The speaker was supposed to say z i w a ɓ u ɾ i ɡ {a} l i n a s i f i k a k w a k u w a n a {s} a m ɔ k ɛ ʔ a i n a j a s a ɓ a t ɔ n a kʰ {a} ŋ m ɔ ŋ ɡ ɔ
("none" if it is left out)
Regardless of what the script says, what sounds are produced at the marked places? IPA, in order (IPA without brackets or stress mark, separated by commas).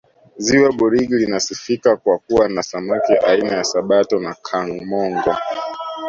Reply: i, s, a